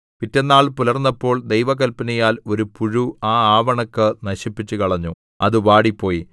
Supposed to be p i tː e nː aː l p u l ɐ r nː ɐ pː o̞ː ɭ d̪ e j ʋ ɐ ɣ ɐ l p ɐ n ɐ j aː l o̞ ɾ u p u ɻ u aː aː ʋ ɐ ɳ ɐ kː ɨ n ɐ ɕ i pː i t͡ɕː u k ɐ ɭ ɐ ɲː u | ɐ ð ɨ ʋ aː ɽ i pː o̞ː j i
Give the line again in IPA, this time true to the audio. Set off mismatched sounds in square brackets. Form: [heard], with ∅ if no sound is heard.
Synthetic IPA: p i tː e nː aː [ɭ] p u l ɐ r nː ɐ pː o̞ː ɭ d̪ e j ʋ ɐ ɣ ɐ l p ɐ n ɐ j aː l o̞ ɾ u p u ɻ u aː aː ʋ ɐ ɳ ɐ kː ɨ n ɐ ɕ i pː i t͡ɕː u k ɐ ɭ ɐ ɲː u | ɐ ð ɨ ʋ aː ɽ i pː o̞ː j i